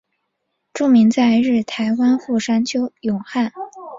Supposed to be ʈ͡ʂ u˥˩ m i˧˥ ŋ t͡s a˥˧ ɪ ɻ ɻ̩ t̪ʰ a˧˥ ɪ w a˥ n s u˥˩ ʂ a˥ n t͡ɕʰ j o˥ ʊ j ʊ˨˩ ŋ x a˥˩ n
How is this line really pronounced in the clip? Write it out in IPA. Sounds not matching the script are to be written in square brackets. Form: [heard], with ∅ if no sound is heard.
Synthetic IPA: ʈ͡ʂ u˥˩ m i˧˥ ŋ t͡s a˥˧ ɪ ɻ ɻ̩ t̪ʰ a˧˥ ɪ w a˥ n [x] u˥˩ ʂ a˥ n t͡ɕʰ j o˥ ʊ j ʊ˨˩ ŋ x a˥˩ n